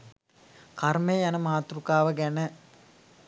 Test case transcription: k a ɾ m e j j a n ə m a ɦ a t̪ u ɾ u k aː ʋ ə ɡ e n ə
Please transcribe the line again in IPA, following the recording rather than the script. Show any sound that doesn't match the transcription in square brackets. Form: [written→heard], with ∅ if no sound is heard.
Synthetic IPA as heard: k a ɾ m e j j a n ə m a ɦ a t̪ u ɾ u k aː ʋ ə ɡ [e→æ] n ə